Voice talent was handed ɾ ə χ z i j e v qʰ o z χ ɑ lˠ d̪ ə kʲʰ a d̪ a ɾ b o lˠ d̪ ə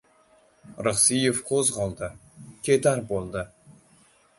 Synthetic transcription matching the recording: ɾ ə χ s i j e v qʰ o z ʁ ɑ lˠ d̪ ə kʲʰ e d̪ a ɾ b o lˠ d̪ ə